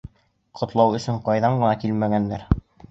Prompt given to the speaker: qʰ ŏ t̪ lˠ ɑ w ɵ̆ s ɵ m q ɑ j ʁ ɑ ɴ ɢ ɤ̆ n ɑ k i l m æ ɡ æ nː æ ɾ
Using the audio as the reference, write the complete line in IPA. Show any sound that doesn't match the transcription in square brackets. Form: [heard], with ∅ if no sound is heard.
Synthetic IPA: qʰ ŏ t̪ lˠ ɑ w ɵ̆ s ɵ [ɴ] q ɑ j [ð] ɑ ɴ ɢ ɤ̆ n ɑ k i l m æ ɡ æ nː æ ɾ